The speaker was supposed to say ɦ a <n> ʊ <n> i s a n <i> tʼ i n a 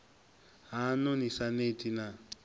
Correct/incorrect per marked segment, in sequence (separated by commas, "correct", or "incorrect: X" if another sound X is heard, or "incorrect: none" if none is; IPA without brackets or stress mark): correct, correct, incorrect: e